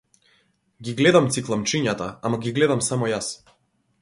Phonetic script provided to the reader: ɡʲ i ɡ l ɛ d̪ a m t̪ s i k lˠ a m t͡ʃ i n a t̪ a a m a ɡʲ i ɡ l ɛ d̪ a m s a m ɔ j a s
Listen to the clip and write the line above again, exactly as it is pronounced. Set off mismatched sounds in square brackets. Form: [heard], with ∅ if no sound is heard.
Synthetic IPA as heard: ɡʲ i ɡ l ɛ d̪ a m t̪ s i k lˠ a m t͡ʃ i [ɲ] a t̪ a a m a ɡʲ i ɡ l ɛ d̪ a m s a m ɔ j a s